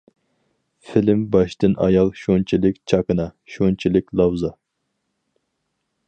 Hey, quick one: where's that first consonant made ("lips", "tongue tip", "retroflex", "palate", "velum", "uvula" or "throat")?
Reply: lips